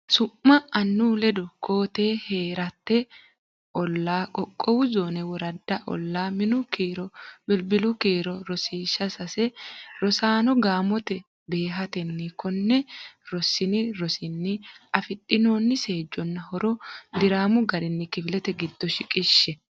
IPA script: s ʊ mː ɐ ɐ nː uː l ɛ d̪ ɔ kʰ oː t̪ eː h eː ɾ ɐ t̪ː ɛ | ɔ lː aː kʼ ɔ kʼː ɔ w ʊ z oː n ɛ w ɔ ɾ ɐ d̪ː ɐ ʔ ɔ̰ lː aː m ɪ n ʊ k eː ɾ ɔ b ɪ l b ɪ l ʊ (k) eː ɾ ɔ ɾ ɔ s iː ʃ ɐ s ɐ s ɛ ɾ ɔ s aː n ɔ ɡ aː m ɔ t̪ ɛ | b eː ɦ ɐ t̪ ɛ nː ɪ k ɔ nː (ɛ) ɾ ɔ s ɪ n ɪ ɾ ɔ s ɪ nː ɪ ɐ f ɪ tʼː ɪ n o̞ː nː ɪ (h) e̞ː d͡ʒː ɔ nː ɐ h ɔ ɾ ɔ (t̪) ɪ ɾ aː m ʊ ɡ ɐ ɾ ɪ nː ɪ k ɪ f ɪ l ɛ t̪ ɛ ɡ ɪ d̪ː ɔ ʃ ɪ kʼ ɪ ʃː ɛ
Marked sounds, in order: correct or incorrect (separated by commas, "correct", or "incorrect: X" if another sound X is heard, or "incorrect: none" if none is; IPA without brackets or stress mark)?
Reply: correct, correct, incorrect: s, incorrect: d̪